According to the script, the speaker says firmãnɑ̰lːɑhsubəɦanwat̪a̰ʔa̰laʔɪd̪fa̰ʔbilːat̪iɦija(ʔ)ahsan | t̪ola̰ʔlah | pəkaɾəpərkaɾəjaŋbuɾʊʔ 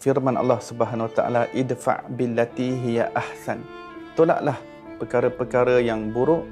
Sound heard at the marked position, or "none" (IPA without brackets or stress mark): ʔ